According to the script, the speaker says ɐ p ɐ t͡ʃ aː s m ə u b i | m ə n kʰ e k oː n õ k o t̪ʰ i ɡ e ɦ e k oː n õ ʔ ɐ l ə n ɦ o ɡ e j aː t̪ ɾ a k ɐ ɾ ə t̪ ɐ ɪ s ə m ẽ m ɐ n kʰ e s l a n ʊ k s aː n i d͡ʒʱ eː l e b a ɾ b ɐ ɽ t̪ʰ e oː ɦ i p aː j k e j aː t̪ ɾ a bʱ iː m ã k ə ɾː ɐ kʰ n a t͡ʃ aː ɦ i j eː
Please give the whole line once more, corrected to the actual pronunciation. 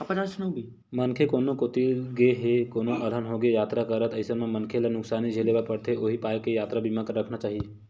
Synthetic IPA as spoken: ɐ p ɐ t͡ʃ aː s n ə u b i | m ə n kʰ e k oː n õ k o t̪ i ɡ e ɦ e k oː n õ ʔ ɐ l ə n ɦ o ɡ e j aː t̪ ɾ a k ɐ ɾ ə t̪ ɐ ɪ s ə m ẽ m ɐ n kʰ e l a n ʊ k s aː n i d͡ʒʱ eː l e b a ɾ p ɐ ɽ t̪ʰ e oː ɦ i p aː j k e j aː t̪ ɾ a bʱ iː m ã k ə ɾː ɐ kʰ n a t͡ʃ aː ɦ i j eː